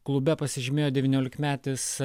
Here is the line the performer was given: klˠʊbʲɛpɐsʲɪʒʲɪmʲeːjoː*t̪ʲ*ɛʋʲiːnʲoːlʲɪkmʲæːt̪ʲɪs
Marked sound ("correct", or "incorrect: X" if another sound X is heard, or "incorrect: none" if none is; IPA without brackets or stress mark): incorrect: d̪ʲ